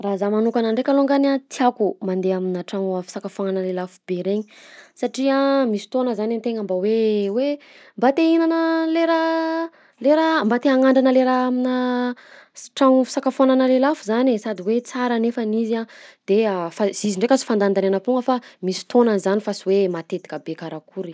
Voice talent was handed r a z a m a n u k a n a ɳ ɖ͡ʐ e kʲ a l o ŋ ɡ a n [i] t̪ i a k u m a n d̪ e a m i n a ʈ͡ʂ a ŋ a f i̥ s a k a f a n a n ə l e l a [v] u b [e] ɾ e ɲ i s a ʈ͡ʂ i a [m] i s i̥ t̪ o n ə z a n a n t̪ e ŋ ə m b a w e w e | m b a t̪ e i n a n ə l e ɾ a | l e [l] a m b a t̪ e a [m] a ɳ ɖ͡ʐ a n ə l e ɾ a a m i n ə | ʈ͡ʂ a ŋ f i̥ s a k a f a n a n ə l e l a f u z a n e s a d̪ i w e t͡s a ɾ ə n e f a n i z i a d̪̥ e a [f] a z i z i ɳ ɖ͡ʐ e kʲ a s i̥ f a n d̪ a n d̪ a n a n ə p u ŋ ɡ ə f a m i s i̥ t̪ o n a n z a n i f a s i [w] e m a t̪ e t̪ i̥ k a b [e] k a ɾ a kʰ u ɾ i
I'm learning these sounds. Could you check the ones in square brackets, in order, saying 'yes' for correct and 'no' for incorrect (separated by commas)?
no, no, yes, yes, no, no, yes, yes, yes